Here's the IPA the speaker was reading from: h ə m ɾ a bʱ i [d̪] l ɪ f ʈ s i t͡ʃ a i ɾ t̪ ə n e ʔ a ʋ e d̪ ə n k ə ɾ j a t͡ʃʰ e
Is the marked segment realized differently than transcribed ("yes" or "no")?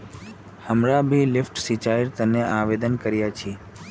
yes